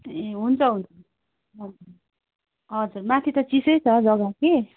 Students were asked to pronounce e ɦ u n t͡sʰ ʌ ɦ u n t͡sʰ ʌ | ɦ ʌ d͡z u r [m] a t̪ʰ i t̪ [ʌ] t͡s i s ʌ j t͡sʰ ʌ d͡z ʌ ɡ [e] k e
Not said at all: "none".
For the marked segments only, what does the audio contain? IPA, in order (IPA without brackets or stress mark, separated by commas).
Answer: m, ʌ, a